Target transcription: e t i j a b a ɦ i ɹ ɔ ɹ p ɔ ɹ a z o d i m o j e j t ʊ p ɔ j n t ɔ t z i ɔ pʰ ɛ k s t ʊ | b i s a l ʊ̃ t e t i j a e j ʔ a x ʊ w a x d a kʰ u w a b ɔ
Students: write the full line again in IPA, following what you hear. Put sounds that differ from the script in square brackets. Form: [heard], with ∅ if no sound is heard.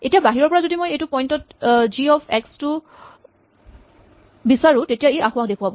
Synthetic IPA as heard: e t i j a b a ɦ i ɹ ɔ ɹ p ɔ ɹ a z o d i m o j e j t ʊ p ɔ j n t ɔ t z i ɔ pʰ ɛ k s t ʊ | b i s a [ɹ] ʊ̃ t e t i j a e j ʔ a x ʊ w a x d [e] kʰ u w a b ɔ